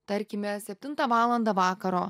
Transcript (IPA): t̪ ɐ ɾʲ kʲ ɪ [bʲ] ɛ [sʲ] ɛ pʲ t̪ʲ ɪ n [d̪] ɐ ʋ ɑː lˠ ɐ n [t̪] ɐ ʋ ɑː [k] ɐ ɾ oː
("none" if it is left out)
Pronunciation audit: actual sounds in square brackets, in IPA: mʲ, sʲ, t̪, d̪, k

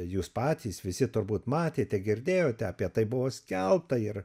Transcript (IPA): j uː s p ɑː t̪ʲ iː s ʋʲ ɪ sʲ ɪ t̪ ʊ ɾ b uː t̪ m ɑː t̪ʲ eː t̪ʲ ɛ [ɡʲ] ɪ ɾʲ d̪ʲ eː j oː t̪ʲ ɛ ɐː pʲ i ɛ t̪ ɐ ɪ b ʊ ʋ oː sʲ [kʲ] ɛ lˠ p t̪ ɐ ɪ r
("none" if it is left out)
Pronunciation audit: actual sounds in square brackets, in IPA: ɡʲ, kʲ

